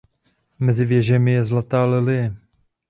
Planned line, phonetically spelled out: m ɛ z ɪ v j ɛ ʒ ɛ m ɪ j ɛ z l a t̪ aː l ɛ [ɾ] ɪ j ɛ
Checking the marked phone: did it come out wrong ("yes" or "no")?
yes